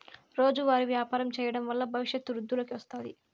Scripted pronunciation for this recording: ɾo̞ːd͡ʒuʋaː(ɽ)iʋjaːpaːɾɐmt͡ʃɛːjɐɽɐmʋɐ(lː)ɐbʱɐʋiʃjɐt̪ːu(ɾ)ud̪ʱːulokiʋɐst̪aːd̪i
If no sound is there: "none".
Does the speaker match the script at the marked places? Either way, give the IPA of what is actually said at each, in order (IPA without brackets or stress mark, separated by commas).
ɾ, lː, ɾ